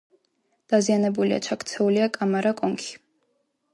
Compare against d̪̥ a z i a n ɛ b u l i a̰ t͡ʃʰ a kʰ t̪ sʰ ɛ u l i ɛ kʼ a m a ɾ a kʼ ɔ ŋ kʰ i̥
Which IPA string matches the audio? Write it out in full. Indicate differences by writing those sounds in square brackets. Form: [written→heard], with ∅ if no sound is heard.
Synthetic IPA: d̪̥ a z i a n ɛ b u l i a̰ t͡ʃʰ a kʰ t̪ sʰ ɛ u l i [ɛ→a] kʼ a m a ɾ a kʼ ɔ ŋ kʰ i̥

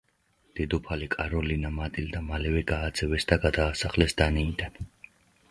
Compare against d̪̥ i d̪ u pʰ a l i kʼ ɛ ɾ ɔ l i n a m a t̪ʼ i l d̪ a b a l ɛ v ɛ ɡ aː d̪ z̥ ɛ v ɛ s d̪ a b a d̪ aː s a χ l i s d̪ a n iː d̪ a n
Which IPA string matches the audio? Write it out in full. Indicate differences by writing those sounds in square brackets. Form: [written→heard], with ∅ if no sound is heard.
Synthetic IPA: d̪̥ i d̪ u pʰ a l i kʼ [ɛ→a] ɾ ɔ l i n a m a t̪ʼ i l d̪ a [b→m] a l ɛ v ɛ ɡ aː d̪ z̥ ɛ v ɛ s d̪ a [b→ɡ] a d̪ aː s a χ l [i→ɛ] s d̪ a n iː d̪ a n

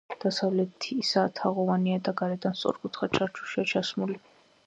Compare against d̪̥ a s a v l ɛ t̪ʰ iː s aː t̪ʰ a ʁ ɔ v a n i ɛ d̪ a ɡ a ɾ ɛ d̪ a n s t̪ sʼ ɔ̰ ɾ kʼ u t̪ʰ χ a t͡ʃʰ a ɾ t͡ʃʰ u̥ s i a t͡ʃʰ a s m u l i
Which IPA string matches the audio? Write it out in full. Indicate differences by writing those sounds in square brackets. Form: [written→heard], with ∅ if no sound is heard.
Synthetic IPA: d̪̥ a s a v l ɛ t̪ʰ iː s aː t̪ʰ a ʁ ɔ v a n i [ɛ→a] d̪ a ɡ a ɾ ɛ d̪ a n s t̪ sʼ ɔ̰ ɾ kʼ u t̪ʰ χ a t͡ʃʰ a ɾ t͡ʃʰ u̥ [s→ʃ] i a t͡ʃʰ a s m u l i

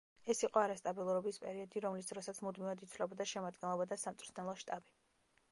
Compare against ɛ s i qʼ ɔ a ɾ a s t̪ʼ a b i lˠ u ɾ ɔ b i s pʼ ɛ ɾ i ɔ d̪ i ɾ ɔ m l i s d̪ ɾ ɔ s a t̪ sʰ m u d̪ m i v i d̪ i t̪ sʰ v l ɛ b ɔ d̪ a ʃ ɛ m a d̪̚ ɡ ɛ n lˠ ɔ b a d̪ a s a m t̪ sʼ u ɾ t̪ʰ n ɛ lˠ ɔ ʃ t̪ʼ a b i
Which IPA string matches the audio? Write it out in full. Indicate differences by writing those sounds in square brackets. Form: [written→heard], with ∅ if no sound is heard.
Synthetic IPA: ɛ s i qʼ ɔ a ɾ a s t̪ʼ a b i lˠ u ɾ ɔ b i s pʼ ɛ ɾ i ɔ d̪ i ɾ ɔ m l i s d̪ ɾ ɔ s a t̪ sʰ m u d̪ m i v [i→a] d̪ i t̪ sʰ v l ɛ b ɔ d̪ a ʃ ɛ m a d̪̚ ɡ ɛ n lˠ ɔ b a d̪ a s a m t̪ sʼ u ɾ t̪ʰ n ɛ lˠ ɔ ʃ t̪ʼ a b i

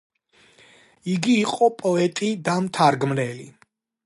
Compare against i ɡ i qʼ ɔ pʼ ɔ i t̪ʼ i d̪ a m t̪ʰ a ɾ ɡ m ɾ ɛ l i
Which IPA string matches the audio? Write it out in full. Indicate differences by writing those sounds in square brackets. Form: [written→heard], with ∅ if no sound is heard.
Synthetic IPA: i ɡ [i→iː] qʼ ɔ pʼ ɔ [i→ɛ] t̪ʼ i d̪ a m t̪ʰ a ɾ ɡ m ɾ ɛ l i

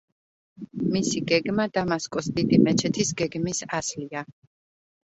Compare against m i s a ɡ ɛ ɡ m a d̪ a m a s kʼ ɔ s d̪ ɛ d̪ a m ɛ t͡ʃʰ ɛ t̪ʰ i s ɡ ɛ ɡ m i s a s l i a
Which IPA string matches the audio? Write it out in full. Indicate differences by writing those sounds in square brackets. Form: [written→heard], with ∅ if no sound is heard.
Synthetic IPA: m i s [a→i] ɡ ɛ ɡ m a d̪ a m a s kʼ ɔ s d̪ [ɛ→i] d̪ [a→i] m ɛ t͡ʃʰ ɛ t̪ʰ i s ɡ ɛ ɡ m i s a s l i a

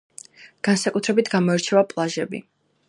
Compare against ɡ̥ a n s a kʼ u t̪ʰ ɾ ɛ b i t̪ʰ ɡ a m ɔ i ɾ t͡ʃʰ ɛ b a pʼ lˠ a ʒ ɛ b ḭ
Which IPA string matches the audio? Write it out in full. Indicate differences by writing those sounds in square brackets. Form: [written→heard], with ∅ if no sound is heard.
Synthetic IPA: ɡ̥ a n s a kʼ u t̪ʰ ɾ ɛ b i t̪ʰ ɡ a m ɔ [i→ɛ] ɾ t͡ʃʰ ɛ [b→v] a pʼ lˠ a ʒ ɛ b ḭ

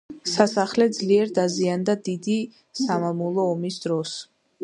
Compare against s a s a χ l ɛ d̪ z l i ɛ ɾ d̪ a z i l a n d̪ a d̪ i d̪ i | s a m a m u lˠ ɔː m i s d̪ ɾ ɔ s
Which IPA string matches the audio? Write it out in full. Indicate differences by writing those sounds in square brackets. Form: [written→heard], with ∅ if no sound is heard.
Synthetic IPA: s a s a χ l ɛ d̪ z l i ɛ ɾ d̪ a z i [l→∅] a n d̪ a d̪ i d̪ i | s a m a m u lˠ ɔː m i s d̪ ɾ ɔ s

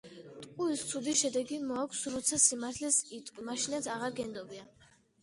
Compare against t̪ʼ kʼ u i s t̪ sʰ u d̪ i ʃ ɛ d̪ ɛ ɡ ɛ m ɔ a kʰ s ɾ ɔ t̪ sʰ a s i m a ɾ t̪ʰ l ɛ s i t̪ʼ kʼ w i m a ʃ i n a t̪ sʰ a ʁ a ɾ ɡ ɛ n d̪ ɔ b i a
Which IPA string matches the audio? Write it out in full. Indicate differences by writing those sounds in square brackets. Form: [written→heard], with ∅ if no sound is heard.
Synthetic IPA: t̪ʼ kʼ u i s t̪ sʰ u d̪ i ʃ ɛ d̪ ɛ ɡ [ɛ→i] m ɔ a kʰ s ɾ ɔ t̪ sʰ a s i m a ɾ t̪ʰ l ɛ s i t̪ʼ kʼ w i m a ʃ i n a t̪ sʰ a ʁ a ɾ ɡ ɛ n d̪ ɔ b i a

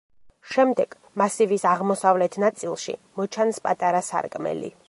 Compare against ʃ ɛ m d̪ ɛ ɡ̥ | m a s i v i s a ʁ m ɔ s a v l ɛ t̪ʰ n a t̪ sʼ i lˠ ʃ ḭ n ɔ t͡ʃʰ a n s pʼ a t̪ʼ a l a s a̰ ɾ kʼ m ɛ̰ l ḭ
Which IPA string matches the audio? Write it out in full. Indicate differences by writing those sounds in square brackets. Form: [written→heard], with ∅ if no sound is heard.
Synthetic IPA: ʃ ɛ m d̪ ɛ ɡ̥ | m a s i v i s a ʁ m ɔ s a v l ɛ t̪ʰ n a t̪ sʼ i lˠ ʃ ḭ [n→m] ɔ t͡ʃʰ a n s pʼ a t̪ʼ a [l→ɾ] a s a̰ ɾ kʼ m ɛ̰ l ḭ

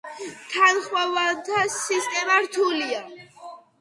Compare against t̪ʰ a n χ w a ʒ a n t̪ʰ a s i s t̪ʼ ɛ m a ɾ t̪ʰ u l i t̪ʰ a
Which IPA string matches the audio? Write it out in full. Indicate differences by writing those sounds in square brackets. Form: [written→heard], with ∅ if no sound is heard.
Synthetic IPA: t̪ʰ a n χ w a [ʒ→v] a n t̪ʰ a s i s t̪ʼ ɛ m a ɾ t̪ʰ u l i [t̪ʰ→∅] a

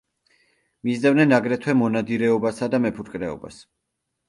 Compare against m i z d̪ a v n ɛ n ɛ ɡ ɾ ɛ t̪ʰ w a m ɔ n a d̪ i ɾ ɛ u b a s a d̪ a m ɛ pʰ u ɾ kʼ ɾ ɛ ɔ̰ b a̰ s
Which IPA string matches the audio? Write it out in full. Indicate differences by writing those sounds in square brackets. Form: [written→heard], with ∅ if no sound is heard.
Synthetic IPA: m i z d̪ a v n ɛ n [ɛ→a] ɡ ɾ ɛ t̪ʰ w [a→ɛ] m ɔ n a d̪ i ɾ ɛ [u→ɔ] b a s a d̪ a m ɛ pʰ u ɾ kʼ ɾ ɛ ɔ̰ b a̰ s

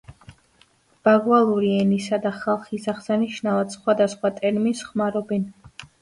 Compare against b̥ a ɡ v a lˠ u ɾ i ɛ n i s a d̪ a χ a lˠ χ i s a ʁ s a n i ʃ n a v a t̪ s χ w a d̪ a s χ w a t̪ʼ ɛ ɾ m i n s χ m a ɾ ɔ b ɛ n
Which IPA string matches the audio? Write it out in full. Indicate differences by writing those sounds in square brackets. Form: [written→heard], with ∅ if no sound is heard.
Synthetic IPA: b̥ a ɡ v a lˠ u ɾ i ɛ n i s a d̪ a χ a lˠ χ i s a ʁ s a n i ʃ n a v a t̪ s χ w a d̪ a s χ w a t̪ʼ ɛ ɾ m i n s χ m a ɾ ɔ b ɛ n

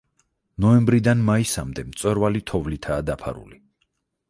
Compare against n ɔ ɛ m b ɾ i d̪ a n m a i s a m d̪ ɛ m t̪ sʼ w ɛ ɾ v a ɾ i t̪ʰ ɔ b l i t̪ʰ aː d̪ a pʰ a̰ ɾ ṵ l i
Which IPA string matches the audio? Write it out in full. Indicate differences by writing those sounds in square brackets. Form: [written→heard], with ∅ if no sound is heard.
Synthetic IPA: n ɔ ɛ m b ɾ i d̪ a n m a i s a m d̪ ɛ m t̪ sʼ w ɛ ɾ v a [ɾ→l] i t̪ʰ ɔ [b→v] l i t̪ʰ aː d̪ a pʰ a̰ ɾ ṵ l i

